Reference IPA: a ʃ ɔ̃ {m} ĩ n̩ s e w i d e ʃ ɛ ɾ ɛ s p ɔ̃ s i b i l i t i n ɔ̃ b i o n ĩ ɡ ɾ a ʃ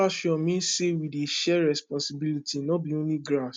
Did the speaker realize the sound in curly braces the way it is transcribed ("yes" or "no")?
yes